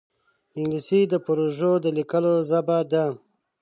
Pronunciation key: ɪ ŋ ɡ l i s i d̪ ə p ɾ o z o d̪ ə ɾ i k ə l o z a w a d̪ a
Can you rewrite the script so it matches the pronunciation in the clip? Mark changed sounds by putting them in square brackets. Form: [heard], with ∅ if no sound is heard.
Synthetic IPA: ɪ ŋ ɡ l i s i d̪ ə p ɾ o [ʒ] o d̪ ə [l] i k ə l o z a [b] a d̪ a